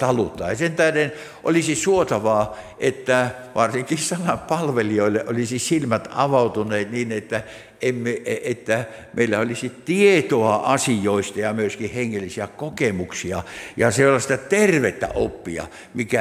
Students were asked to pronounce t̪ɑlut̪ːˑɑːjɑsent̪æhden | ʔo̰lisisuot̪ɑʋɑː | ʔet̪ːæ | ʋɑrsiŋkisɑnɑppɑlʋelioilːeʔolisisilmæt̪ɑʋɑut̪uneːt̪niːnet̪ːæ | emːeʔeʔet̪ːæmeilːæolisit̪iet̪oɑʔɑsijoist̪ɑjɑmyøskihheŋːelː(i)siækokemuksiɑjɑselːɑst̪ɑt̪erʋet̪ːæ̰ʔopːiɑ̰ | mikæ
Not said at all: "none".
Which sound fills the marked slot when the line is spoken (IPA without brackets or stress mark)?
i